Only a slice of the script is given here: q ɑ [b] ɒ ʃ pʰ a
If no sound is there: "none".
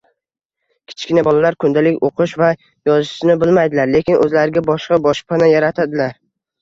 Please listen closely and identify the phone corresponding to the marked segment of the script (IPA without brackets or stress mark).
b